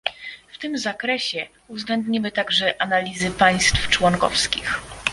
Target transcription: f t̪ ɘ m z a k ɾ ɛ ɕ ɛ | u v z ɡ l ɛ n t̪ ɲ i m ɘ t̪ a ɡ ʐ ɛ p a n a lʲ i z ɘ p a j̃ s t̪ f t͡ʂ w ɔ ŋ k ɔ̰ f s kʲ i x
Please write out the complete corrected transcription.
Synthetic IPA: f t̪ ɘ m z a k ɾ ɛ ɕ ɛ | u v z ɡ l ɛ n d̪ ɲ i m ɘ t̪ a ɡ ʐ ɛ ʔ a n a lʲ i z ɘ p a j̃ s t̪ f t͡ʂ w ɔ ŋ k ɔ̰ f s kʲ i x